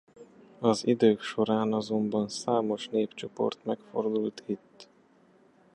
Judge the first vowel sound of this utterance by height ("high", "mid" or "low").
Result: low